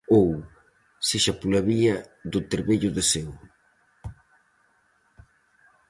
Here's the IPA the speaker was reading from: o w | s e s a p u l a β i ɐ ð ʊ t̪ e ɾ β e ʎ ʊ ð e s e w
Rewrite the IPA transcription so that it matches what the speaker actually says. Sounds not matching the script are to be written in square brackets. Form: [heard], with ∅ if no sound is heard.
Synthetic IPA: o w | s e [ʃ] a p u l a β i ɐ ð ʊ t̪ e ɾ β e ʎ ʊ ð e s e w

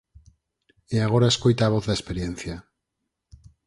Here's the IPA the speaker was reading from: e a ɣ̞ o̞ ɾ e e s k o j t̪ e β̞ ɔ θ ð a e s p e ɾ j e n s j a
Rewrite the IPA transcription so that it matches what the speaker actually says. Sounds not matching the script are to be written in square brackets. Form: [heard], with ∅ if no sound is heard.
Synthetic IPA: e a ɣ̞ o̞ ɾ [a] e s k o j t̪ [a] β̞ [o] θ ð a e s p e ɾ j e n [θ] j a

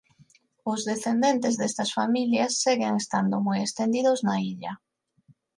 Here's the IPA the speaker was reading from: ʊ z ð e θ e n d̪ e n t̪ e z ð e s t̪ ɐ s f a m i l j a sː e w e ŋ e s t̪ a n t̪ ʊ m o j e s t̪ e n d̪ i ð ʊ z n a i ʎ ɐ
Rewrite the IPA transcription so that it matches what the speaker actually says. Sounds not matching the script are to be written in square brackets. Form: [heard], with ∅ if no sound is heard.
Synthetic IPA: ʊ z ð e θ e n d̪ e n t̪ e z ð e s t̪ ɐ s f a m i l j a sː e [ɣ] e ŋ e s t̪ a n [d̪] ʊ m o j e s t̪ e n d̪ i ð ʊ z n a i ʎ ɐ

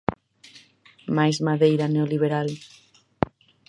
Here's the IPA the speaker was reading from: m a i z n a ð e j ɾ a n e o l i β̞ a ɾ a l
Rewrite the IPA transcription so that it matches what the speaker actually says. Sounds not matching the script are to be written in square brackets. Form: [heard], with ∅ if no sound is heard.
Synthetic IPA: m a [j] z [m] a ð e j ɾ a n e o l i β̞ [e] ɾ a l

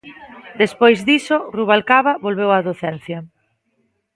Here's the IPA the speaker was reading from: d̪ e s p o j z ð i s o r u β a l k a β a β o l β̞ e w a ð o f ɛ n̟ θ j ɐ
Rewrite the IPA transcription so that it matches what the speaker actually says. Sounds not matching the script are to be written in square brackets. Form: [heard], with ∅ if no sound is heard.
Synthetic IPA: d̪ e s p o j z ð i s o r u β a l k a β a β o l β̞ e w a ð o [θ] ɛ n̟ θ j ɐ

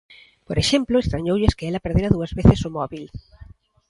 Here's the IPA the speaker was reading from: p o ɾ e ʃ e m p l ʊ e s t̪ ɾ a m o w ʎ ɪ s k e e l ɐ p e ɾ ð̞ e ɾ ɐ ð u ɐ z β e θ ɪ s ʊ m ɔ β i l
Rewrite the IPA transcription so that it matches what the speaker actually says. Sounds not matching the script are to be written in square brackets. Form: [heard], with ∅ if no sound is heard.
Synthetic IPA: p o ɾ e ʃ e m p l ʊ e s t̪ ɾ a [ɲ] o w ʎ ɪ s k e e l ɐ p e ɾ ð̞ e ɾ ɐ ð u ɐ z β e θ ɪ s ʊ m ɔ β i l

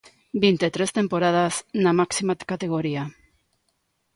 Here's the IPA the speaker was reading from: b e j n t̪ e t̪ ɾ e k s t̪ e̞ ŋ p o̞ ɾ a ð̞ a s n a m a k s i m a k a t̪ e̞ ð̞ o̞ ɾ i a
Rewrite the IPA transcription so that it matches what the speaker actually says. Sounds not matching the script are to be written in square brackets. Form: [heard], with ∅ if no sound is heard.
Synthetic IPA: b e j n t̪ e t̪ ɾ e [∅] s t̪ e̞ [m] p o̞ ɾ a ð̞ a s n a m a k s i m a k a t̪ e̞ [ɣ̞] o̞ ɾ i a

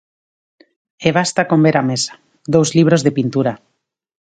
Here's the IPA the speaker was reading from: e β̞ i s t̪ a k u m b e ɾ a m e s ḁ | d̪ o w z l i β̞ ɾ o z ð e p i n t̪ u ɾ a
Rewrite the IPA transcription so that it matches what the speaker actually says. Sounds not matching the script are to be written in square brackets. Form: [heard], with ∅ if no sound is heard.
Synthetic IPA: e β̞ [a] s t̪ a k [o] m b e ɾ a m e s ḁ | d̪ o w z l i β̞ ɾ o z ð e p i n t̪ u ɾ a

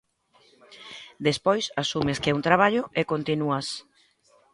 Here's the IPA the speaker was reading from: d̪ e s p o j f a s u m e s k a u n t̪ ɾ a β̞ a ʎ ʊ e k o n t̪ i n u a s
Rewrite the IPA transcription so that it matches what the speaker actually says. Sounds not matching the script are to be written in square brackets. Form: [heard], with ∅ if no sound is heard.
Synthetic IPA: d̪ e s p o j [s] a s u m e s k [ɛ] u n t̪ ɾ a β̞ a ʎ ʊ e k o n t̪ i n u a s

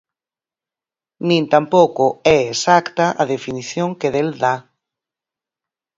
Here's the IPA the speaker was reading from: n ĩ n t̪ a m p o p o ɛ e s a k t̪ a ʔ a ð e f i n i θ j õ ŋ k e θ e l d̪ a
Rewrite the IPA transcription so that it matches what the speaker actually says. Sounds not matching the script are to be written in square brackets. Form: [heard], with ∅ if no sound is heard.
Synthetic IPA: n ĩ n t̪ a m p o [k] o ɛ e s a k t̪ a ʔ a ð e f i n i θ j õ ŋ k e [ð] e l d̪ a

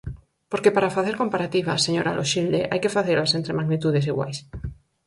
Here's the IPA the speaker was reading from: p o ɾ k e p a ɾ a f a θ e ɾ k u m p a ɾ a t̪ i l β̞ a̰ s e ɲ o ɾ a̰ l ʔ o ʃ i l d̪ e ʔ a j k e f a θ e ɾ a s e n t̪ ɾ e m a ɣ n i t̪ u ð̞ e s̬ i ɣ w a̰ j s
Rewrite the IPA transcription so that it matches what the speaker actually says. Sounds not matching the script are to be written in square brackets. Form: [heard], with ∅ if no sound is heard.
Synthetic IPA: p o ɾ k e p a ɾ a f a θ e ɾ k [o] m p a ɾ a t̪ i [∅] β̞ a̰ s e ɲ o ɾ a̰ l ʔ o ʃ i l d̪ e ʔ a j k e f a θ e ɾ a s e n t̪ ɾ e m a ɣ n i t̪ u ð̞ e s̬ i ɣ w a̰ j s

